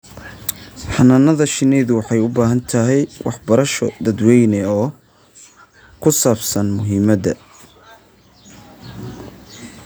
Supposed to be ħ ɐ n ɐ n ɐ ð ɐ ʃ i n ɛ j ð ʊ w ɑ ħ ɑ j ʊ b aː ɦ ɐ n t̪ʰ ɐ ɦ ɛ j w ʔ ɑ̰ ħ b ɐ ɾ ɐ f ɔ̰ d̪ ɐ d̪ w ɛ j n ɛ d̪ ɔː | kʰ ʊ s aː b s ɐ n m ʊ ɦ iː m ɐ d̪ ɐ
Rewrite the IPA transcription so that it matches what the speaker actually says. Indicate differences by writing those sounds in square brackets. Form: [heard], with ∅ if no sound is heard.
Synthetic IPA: ħ [ɑ] n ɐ n ɐ ð ɐ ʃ [ɪ] n ɛ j ð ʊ w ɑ ħ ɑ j ʊ b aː ɦ ɐ n t̪ʰ ɐ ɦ ɛ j w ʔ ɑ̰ ħ b ɐ ɾ ɐ [ʃ] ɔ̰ d̪ ɐ d̪ w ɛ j n ɛ [∅] ɔː | kʰ ʊ s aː b s ɐ n m ʊ ɦ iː m ɐ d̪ ɐ